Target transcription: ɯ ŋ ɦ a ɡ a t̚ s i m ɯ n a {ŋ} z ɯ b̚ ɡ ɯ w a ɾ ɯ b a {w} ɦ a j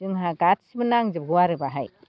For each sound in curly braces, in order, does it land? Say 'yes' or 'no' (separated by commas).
yes, no